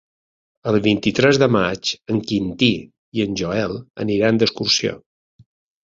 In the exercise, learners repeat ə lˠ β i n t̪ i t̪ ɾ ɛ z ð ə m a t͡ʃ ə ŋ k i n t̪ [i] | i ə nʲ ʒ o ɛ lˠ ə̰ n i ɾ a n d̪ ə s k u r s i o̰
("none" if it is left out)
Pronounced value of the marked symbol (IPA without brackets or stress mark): i